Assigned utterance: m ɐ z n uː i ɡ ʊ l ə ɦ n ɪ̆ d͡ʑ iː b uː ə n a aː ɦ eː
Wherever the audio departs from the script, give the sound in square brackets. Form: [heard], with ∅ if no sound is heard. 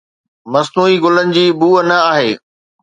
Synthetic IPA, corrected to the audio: m ɐ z n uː i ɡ ʊ l ə [∅] n ɪ̆ d͡ʑ iː b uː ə n [ɐ] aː ɦ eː